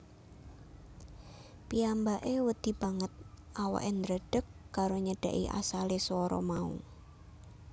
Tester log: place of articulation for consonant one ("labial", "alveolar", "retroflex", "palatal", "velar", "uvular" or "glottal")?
labial